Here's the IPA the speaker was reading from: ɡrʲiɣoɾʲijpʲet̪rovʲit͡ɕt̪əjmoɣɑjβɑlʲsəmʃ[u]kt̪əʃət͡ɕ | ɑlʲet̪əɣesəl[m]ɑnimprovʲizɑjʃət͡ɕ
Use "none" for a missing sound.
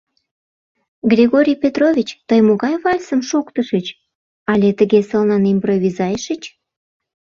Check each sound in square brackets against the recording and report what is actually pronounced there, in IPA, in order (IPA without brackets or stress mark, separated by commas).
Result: o, n